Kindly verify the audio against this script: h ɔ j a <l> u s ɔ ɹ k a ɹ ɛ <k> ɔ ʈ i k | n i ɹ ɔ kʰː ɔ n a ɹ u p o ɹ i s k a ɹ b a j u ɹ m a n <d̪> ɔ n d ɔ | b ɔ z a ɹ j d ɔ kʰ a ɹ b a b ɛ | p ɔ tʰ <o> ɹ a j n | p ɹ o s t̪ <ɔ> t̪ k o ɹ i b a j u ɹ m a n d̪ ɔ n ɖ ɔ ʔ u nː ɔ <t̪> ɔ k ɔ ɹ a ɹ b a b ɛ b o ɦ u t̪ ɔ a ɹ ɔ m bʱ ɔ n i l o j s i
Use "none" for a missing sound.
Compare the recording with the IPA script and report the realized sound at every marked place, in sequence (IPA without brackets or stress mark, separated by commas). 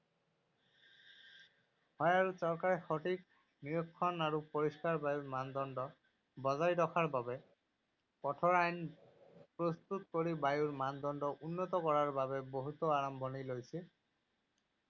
ɹ, x, d̪, ɔ, u, t̪